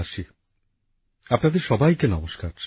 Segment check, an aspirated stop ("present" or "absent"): absent